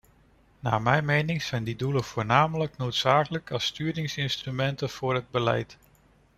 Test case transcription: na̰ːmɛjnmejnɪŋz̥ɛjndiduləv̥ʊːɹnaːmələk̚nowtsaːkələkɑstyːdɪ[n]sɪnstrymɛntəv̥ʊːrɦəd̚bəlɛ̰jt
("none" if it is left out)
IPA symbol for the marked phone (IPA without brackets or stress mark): ŋ